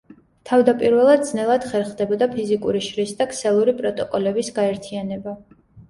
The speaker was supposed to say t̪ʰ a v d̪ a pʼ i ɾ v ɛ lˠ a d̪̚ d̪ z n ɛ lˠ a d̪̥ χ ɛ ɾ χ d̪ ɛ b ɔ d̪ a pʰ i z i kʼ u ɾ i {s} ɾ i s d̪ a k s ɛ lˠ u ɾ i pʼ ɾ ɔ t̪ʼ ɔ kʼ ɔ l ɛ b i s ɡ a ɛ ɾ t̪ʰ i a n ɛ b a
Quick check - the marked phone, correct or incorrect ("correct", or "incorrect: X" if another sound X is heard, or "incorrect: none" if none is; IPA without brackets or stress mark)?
incorrect: ʃ